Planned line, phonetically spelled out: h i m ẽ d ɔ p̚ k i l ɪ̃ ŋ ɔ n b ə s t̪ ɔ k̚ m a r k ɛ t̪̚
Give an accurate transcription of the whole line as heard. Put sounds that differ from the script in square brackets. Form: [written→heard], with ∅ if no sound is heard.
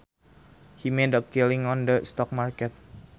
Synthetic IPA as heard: h i m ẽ d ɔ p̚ k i l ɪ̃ ŋ ɔ n [b→d] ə s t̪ ɔ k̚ m a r k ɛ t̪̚